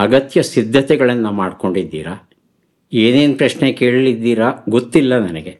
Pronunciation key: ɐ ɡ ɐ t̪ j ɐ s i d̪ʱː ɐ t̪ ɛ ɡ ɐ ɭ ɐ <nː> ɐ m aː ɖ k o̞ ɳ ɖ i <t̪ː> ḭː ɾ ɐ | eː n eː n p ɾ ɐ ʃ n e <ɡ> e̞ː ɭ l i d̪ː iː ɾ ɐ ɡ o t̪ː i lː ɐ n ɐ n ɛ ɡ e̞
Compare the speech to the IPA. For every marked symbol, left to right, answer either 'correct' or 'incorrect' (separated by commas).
correct, incorrect, incorrect